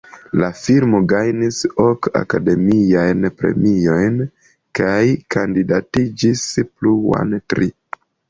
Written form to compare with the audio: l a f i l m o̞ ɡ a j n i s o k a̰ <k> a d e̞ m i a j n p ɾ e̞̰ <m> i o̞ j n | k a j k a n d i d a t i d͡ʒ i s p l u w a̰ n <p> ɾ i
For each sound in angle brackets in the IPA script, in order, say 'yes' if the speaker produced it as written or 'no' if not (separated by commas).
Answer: yes, yes, no